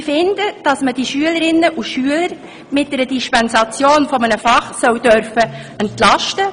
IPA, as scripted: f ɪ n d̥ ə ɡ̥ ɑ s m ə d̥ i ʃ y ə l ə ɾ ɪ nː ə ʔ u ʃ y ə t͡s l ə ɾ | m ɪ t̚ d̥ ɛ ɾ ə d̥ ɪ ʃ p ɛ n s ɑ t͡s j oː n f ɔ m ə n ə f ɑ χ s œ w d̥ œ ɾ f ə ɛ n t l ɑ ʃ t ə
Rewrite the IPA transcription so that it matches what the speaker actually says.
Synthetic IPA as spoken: f ɪ n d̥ ə d̥ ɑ s m ə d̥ i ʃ y ə l ə ɾ ɪ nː ə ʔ u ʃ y ə l ə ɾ | m ɪ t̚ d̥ ɛ ɾ ə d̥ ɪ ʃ p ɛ n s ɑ t͡s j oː n f ɔ m ə n ə f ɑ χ s œ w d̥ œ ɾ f ə ɛ n t l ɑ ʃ t ə